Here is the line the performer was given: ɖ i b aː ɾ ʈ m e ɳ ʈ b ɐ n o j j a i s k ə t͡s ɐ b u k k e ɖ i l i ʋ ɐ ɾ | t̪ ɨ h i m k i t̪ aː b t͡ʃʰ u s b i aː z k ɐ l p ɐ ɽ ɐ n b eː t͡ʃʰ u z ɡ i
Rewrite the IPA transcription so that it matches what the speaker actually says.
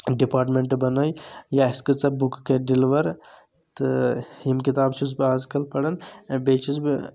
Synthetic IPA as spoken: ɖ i p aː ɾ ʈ m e ɳ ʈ b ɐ n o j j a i s k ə t͡s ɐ b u k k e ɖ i l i ʋ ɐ ɾ | t̪ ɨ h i m k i t̪ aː b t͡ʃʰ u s b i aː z k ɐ l p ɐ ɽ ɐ n b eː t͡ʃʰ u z b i